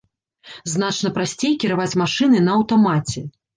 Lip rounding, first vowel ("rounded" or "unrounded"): unrounded